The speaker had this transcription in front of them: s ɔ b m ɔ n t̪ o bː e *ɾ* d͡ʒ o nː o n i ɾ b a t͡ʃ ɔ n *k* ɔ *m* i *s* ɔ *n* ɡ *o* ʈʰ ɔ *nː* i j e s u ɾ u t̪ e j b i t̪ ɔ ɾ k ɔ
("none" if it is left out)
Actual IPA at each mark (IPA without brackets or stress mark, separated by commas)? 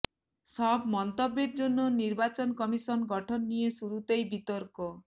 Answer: ɾ, k, m, s, n, ɔ, nː